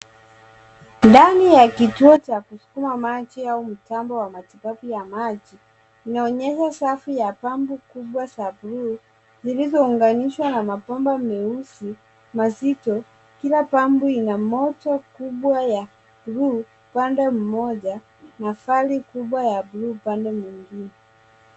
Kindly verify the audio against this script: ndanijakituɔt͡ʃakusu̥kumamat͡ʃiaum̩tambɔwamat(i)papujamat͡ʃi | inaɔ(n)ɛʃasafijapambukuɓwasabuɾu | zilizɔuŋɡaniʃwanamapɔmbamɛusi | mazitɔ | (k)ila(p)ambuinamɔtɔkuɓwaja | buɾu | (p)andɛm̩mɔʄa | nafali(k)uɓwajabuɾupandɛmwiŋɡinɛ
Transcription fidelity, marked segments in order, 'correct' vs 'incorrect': correct, incorrect: ɲ, correct, correct, correct, correct

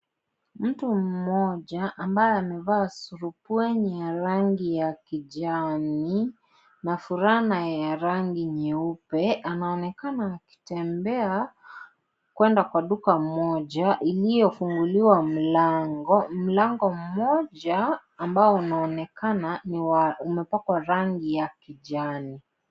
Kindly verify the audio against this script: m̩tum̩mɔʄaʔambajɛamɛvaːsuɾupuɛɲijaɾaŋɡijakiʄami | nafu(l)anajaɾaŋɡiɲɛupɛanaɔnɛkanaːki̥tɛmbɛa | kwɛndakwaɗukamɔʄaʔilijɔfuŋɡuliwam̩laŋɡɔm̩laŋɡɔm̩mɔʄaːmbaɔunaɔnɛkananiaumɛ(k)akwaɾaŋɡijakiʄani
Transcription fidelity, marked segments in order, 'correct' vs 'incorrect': incorrect: ɾ, incorrect: p

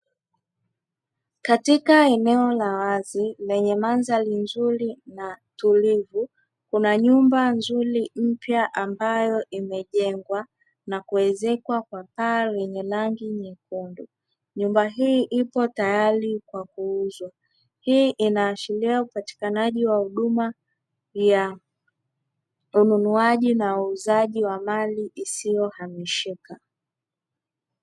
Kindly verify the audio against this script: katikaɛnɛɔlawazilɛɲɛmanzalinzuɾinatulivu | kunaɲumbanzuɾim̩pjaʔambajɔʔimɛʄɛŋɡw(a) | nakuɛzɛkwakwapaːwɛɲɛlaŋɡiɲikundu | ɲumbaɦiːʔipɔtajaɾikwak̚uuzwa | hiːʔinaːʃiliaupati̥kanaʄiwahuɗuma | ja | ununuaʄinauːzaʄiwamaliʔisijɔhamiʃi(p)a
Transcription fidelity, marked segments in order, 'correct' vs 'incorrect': correct, incorrect: k

